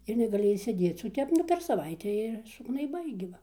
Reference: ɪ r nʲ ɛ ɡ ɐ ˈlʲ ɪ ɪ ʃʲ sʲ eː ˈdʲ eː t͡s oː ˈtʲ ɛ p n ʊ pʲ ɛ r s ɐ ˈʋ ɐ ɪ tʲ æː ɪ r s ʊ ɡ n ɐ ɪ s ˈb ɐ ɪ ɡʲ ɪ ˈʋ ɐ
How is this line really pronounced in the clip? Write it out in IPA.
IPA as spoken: ɪ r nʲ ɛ ɡ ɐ ˈlʲ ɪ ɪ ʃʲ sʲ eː ˈdʲ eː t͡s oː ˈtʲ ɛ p n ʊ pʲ ɛ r s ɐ ˈʋ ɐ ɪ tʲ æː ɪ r s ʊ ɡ n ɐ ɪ ˈb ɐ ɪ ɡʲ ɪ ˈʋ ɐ